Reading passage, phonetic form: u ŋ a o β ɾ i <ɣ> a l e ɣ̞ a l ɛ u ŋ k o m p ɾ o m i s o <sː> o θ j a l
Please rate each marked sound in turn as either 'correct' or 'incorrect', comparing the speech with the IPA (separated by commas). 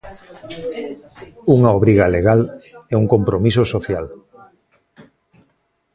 correct, incorrect